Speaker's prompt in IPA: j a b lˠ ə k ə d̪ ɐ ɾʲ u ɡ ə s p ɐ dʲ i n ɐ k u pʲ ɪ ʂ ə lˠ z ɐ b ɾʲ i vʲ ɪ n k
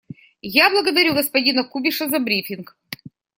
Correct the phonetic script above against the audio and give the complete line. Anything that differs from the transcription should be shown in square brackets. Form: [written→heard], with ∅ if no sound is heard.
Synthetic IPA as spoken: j a b lˠ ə [k→ɡ] ə d̪ ɐ ɾʲ u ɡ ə s p ɐ dʲ i n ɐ k u [pʲ→bʲ] ɪ ʂ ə [lˠ→∅] z ɐ b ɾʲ i [vʲ→fʲ] ɪ n k